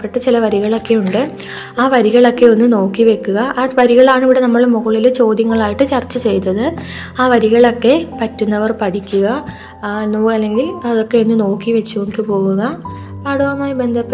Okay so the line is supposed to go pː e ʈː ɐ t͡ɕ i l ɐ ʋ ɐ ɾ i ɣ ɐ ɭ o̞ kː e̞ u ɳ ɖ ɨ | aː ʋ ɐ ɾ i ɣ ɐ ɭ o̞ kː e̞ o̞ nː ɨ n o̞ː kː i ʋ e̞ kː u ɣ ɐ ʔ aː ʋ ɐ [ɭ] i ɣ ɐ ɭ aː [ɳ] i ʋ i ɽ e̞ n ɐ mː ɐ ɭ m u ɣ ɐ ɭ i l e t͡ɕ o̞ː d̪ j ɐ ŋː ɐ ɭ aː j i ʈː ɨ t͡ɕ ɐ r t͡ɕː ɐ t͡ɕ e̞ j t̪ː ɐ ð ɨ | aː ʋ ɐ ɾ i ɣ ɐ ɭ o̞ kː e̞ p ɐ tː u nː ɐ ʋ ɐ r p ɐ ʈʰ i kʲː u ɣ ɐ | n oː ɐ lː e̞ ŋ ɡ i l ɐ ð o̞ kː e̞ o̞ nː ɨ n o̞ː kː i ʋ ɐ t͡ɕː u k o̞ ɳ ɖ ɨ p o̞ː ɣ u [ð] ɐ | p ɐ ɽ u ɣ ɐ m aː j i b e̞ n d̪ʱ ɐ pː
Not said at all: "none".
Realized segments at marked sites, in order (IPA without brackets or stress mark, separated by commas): ɾ, ɳ, ɣ